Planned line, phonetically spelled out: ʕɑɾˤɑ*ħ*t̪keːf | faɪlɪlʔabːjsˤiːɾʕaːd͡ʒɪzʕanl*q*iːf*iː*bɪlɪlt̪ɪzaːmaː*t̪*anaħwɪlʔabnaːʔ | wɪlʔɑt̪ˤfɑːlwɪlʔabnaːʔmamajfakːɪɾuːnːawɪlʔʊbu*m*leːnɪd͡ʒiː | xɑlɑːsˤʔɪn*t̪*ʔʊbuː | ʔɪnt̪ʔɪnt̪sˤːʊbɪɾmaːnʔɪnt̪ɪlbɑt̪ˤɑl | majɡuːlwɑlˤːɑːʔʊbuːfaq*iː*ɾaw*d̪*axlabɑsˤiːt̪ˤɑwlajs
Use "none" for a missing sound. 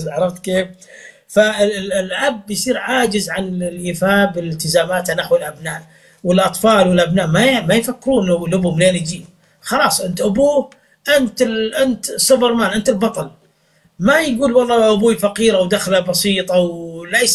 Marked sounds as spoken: f, ʔ, aː, t̪, m, t̪, iː, d̪

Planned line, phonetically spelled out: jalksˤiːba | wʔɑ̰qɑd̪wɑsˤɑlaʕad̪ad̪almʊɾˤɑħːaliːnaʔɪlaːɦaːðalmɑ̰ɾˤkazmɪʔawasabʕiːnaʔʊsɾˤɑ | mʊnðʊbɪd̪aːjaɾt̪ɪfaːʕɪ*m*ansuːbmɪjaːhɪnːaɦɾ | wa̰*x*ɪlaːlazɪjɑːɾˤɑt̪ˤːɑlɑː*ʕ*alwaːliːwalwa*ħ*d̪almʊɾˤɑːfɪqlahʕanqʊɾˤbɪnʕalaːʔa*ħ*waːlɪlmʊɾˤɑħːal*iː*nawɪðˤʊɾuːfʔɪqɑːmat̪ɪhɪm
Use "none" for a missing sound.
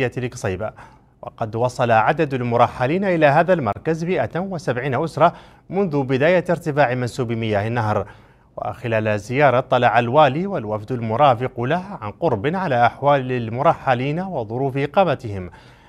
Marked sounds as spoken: m, x, ʕ, f, ħ, iː

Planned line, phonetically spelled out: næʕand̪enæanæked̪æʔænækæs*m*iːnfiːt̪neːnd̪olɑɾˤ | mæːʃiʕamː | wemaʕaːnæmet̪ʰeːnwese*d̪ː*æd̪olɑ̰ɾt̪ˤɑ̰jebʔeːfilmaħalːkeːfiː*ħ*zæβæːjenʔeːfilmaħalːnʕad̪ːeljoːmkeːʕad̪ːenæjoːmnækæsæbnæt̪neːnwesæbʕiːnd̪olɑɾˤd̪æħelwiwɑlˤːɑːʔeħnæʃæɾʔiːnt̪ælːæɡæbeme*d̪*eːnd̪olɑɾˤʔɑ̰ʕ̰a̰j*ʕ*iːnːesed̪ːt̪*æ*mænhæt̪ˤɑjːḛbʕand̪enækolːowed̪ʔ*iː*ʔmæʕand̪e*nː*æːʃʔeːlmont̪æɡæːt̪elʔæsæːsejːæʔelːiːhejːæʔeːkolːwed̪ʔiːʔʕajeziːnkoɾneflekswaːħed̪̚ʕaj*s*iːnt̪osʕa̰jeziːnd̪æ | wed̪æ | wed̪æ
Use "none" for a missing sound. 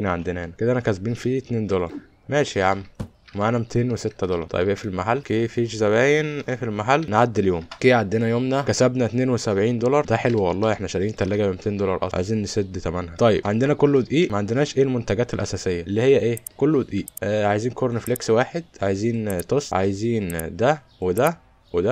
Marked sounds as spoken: b, t̪ː, ʃ, t̪, z, æ, iː, n, z

